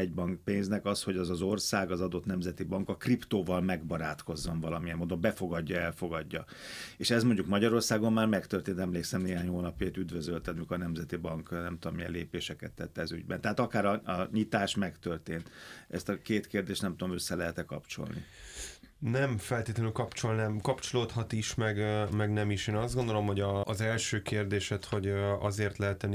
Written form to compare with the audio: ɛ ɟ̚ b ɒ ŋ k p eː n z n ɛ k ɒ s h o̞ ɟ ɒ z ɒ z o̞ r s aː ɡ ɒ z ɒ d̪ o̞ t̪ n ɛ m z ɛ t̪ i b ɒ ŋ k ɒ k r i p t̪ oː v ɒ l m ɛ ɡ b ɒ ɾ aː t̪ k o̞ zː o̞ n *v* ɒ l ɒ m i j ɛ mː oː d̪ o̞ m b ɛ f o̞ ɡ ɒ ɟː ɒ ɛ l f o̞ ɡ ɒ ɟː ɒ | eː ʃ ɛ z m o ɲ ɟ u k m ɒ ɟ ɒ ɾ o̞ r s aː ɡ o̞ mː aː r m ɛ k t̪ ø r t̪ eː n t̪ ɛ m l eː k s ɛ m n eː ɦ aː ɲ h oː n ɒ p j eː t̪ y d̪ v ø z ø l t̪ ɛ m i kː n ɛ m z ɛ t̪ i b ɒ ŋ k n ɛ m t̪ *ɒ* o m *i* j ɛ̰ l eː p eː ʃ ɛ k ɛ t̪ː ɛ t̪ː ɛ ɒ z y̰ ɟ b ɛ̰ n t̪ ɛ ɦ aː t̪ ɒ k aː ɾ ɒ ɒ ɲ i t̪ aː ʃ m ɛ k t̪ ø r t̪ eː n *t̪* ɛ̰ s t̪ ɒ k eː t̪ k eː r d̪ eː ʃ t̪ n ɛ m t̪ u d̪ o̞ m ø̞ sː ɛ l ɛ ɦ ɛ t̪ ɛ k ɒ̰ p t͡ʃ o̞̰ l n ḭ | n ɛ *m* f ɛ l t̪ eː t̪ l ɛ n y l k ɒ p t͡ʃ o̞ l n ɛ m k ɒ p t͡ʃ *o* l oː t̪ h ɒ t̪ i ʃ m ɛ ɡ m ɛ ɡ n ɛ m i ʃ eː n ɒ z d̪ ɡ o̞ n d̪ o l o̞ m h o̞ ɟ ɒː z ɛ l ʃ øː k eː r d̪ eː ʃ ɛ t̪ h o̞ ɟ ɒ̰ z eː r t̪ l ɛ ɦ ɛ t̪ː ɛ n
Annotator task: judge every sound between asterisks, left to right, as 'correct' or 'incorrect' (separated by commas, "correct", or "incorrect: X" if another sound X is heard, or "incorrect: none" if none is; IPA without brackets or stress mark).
correct, incorrect: u, correct, correct, correct, correct